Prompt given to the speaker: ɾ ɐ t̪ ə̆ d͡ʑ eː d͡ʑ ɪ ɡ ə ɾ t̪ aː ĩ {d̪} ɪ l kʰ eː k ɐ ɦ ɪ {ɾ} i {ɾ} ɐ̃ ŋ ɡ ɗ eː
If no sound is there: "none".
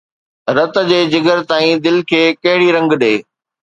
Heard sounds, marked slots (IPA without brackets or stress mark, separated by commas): d̪, ɽ, ɾ